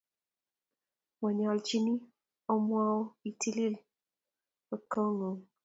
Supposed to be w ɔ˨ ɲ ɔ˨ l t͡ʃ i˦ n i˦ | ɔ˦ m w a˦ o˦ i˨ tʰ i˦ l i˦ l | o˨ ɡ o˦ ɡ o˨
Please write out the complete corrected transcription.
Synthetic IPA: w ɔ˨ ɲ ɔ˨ l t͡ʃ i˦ n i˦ | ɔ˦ m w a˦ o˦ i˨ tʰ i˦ l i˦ l | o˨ k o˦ ŋ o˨